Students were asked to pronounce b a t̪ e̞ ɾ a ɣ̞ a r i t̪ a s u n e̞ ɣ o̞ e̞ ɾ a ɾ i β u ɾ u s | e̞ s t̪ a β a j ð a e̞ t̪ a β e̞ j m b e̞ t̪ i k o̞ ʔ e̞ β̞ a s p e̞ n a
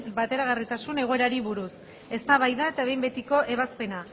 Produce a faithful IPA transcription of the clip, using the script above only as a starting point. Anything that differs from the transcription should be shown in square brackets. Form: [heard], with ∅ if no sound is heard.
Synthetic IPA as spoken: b a t̪ e̞ ɾ a ɣ̞ a r i t̪ a s u n e̞ ɣ o̞ e̞ ɾ a ɾ i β u ɾ u s | e̞ s t̪ a β a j ð a e̞ t̪ a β e̞ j m b e̞ t̪ i k o̞ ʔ e̞ β̞ a s p e̞ n a

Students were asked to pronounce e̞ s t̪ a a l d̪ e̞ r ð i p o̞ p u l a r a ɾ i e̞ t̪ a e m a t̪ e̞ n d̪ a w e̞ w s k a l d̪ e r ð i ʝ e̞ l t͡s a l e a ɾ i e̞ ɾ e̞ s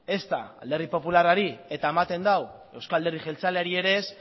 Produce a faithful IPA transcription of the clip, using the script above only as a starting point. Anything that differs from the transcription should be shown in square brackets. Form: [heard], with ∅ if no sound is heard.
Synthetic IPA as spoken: e̞ s t̪ a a l d̪ e̞ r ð i p o̞ p u l a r a ɾ i e̞ t̪ a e m a t̪ e̞ n d̪ a w e̞ w s k a l d̪ e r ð i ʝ e̞ l t͡s a l e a ɾ i e̞ ɾ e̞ s

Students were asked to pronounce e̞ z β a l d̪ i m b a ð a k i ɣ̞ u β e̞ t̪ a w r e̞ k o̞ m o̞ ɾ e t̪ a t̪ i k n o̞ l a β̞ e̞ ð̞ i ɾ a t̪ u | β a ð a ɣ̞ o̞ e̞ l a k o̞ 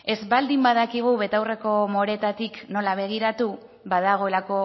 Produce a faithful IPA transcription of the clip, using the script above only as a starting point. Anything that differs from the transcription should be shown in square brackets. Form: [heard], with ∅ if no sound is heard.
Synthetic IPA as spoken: e̞ z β a l d̪ i m b a ð a k i ɣ̞ u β e̞ t̪ a w r e̞ k o̞ m o̞ ɾ e t̪ a t̪ i k n o̞ l a β̞ e̞ [ɣ̞] i ɾ a t̪ u | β a ð a ɣ̞ o̞ e̞ l a k o̞

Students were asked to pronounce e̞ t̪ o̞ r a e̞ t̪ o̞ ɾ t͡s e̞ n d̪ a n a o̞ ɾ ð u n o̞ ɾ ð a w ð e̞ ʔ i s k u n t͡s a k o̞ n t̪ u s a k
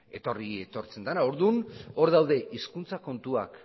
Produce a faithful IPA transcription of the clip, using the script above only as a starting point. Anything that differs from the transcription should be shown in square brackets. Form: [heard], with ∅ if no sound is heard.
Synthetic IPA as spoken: e̞ t̪ o̞ r [i] e̞ t̪ o̞ ɾ t͡s e̞ n d̪ a n a o̞ ɾ ð u n o̞ ɾ ð a w ð e̞ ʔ i s k u n t͡s a k o̞ n t̪ u [∅] a k

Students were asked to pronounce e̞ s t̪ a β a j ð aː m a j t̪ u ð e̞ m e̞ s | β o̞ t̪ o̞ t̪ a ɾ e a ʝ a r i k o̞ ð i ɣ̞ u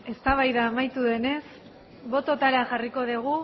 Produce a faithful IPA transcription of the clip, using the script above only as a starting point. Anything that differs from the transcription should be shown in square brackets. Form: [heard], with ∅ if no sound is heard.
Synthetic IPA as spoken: e̞ s t̪ a β a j ð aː m a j t̪ u ð e̞ [n] e̞ s | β o̞ t̪ o̞ t̪ a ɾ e a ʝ a r i k o̞ ð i ɣ̞ u

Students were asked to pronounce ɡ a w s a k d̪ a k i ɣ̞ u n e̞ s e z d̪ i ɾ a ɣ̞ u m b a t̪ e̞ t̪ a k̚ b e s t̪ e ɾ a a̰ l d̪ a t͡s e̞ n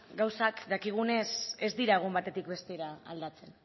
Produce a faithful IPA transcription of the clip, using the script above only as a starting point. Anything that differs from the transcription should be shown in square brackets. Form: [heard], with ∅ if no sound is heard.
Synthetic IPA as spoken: ɡ a w s a k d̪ a k i ɣ̞ u n e̞ s e z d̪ i ɾ a ɣ̞ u m b a t̪ e̞ t̪ [i] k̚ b e s t̪ e ɾ a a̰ l d̪ a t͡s e̞ n

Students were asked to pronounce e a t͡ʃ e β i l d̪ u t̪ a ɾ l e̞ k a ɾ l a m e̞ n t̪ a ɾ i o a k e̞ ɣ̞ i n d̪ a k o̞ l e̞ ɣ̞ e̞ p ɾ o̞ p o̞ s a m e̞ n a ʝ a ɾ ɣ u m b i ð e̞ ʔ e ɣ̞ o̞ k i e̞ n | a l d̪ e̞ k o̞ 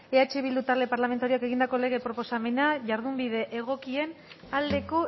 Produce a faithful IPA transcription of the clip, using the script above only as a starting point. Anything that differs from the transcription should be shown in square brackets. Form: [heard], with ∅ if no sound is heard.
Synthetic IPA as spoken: e a t͡ʃ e β i l d̪ u t̪ a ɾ l e̞ [p] a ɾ l a m e̞ n t̪ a ɾ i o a k e̞ ɣ̞ i n d̪ a k o̞ l e̞ ɣ̞ e̞ p ɾ o̞ p o̞ s a m e̞ n a ʝ a ɾ [ð] u m b i ð e̞ ʔ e ɣ̞ o̞ k i e̞ n | a l d̪ e̞ k o̞

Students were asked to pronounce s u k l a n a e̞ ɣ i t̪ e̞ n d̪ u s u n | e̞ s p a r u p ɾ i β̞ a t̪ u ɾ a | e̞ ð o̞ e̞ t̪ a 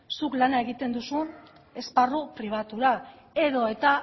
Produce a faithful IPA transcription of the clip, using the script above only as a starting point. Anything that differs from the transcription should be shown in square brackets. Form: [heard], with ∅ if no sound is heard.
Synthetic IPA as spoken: s u k l a n a e̞ ɣ i t̪ e̞ n d̪ u s u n | e̞ s p a r u p ɾ i β̞ a t̪ u ɾ a | e̞ ð o̞ e̞ t̪ a

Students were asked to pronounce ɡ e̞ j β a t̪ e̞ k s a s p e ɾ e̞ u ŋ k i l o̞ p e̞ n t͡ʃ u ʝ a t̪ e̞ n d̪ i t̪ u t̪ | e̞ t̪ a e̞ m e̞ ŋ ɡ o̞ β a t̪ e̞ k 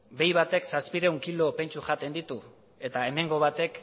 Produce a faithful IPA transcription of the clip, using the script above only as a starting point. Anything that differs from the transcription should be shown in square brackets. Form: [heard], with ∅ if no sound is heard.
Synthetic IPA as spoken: [b] e̞ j β a t̪ e̞ k s a s p [i] ɾ e̞ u ŋ k i l o̞ p e̞ n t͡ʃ u ʝ a t̪ e̞ n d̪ i t̪ u [∅] | e̞ t̪ a e̞ m e̞ ŋ ɡ o̞ β a t̪ e̞ k

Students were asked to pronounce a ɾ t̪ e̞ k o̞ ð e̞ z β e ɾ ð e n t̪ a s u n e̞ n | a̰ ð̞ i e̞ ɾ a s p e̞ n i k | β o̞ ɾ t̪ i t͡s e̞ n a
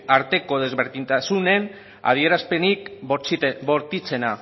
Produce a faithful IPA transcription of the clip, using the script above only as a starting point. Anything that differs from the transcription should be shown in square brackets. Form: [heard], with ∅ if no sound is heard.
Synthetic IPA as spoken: a ɾ t̪ e̞ k o̞ ð e̞ z β e ɾ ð [i] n t̪ a s u n e̞ n | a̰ ð̞ i e̞ ɾ a s p e̞ n i k | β o̞ ɾ t̪ i t͡s e̞ n a

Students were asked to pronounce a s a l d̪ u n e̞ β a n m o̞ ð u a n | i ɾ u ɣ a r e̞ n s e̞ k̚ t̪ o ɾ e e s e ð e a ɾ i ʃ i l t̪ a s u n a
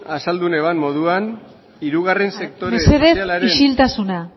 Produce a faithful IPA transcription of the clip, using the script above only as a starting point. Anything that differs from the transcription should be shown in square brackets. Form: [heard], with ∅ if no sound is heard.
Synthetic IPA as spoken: a s a l d̪ u n e̞ β a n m o̞ ð u a n | i ɾ u ɣ a r e̞ n s e̞ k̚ t̪ o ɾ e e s e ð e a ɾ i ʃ i l t̪ a s u n a

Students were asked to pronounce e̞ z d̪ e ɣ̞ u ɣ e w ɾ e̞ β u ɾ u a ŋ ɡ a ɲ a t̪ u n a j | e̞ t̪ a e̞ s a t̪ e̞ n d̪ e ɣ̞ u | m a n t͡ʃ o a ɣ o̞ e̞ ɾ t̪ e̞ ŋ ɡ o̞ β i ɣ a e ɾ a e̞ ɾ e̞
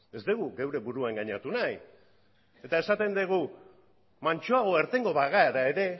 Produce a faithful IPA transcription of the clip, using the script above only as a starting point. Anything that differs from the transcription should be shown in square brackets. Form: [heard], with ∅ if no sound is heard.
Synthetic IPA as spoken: e̞ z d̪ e ɣ̞ u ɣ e w ɾ e̞ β u ɾ u a ŋ ɡ a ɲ a t̪ u n a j | e̞ t̪ a e̞ s a t̪ e̞ n d̪ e ɣ̞ u | m a n t͡ʃ o a ɣ o̞ e̞ ɾ t̪ e̞ ŋ ɡ o̞ β [a] ɣ a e ɾ a e̞ ɾ e̞

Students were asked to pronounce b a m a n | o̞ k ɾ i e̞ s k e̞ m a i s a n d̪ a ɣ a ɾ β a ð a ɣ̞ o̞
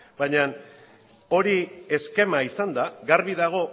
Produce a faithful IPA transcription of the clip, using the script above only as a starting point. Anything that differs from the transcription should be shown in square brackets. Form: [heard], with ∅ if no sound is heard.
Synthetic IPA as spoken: b a [ɲ] a n | o̞ [∅] ɾ i e̞ s k e̞ m a i s a n d̪ a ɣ a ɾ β [i] ð a ɣ̞ o̞

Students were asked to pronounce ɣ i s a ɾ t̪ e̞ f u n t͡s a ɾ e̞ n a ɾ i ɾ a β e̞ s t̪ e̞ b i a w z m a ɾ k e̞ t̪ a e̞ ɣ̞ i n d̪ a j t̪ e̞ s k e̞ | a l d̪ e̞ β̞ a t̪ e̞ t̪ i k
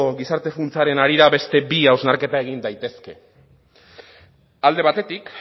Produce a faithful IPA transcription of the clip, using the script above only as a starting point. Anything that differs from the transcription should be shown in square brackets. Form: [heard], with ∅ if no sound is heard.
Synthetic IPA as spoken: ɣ i s a ɾ t̪ e̞ f u n t͡s a ɾ e̞ n a ɾ i ɾ a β e̞ s t̪ e̞ b i a w z [n] a ɾ k e̞ t̪ a e̞ ɣ̞ i n d̪ a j t̪ e̞ s k e̞ | a l d̪ e̞ β̞ a t̪ e̞ t̪ i k

